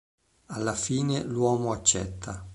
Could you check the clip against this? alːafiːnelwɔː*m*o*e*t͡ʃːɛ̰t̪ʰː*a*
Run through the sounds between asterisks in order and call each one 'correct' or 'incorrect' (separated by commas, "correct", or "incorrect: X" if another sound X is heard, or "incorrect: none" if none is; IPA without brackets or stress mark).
correct, incorrect: a, correct